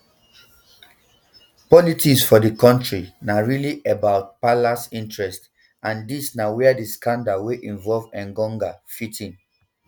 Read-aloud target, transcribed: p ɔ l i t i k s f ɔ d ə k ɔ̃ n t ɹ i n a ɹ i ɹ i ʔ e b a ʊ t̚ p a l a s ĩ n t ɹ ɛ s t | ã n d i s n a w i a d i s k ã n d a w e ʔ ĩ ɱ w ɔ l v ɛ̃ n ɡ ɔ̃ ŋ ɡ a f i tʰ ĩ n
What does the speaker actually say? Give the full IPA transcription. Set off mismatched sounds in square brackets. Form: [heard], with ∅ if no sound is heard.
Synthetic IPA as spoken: p ɔ l i t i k s f ɔ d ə k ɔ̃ n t ɹ i n a ɹ i [l] i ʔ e b a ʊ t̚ p a l a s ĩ n t ɹ ɛ s t | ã n d i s n a w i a d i s k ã n d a w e ʔ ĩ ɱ [v] ɔ l v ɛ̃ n ɡ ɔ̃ ŋ ɡ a f i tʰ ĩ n